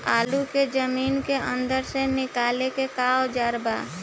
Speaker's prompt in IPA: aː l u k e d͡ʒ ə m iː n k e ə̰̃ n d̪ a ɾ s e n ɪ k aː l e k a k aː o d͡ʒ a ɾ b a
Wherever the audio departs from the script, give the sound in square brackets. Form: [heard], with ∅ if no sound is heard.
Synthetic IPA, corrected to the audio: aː l u k e d͡ʒ ə m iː n k e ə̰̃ n d̪ [ə] ɾ s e n ɪ k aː l e k [e] k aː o d͡ʒ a ɾ b a